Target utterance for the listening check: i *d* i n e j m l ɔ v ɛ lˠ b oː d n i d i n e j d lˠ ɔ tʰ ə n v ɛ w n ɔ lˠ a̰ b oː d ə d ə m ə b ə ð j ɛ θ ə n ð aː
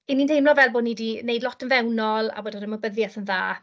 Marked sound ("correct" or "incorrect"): incorrect